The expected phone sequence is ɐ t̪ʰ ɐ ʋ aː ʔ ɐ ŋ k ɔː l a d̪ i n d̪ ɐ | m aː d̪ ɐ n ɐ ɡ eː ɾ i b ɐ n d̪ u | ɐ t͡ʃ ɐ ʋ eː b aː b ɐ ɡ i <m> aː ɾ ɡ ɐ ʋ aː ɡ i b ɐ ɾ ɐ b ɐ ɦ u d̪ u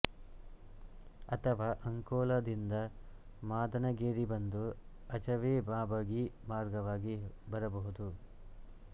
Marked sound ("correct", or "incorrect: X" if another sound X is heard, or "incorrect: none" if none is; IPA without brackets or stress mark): correct